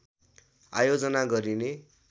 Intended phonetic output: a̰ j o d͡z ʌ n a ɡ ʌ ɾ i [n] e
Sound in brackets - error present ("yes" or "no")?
no